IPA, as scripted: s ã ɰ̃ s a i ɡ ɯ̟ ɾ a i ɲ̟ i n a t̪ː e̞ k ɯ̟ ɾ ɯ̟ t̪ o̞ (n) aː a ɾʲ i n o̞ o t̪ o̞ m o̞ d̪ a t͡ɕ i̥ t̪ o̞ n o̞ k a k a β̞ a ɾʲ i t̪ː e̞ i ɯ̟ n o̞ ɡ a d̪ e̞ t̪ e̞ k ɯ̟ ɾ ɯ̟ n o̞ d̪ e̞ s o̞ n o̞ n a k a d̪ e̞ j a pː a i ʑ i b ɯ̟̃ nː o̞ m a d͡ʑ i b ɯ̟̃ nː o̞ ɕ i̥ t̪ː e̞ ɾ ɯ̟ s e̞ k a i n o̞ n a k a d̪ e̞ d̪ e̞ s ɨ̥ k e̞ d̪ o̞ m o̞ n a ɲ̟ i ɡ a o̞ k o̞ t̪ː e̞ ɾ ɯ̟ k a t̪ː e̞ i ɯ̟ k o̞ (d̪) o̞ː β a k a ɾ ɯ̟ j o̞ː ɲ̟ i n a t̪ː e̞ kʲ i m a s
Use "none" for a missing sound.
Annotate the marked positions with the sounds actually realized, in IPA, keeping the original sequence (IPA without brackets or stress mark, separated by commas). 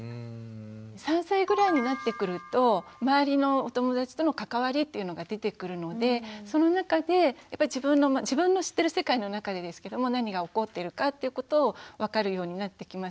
m, t̪